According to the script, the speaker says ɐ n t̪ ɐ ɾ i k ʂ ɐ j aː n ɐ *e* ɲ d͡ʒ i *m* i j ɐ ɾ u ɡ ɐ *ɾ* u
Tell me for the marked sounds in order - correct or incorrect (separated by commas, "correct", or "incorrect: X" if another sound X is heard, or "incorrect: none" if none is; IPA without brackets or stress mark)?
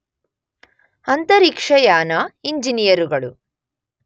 incorrect: i, incorrect: n, incorrect: ɭ